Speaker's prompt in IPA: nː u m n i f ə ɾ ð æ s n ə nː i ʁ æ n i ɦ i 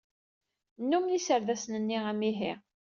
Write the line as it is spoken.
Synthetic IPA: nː u m n i s ə ɾ ð æ s n ə nː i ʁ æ m i ɦ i